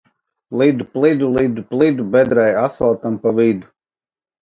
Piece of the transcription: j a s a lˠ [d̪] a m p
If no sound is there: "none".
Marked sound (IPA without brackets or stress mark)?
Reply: t̪